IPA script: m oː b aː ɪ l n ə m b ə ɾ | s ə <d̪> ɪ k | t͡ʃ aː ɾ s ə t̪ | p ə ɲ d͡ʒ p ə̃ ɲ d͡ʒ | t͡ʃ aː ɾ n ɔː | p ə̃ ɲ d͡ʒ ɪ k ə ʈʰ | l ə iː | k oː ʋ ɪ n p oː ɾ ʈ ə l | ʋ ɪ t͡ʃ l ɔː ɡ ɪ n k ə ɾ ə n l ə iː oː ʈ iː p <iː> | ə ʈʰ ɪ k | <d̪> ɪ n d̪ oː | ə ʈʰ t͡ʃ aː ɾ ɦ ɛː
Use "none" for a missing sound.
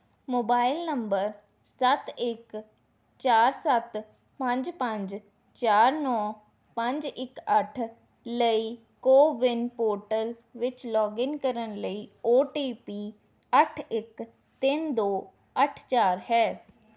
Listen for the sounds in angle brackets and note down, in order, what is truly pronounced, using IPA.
t̪, iː, t̪

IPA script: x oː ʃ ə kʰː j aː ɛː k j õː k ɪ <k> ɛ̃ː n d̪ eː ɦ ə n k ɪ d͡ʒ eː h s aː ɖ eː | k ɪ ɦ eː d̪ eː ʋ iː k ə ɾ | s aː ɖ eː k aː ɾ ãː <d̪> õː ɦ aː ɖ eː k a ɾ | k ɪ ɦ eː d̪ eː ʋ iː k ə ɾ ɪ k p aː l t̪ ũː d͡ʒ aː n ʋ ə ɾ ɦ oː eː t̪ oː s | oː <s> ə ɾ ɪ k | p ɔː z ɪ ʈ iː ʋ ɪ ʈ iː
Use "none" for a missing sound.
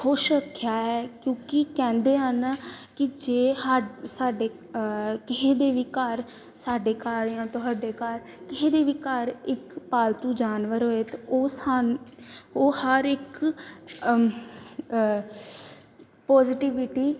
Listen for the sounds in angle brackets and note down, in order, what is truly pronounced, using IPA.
k, t̪, h

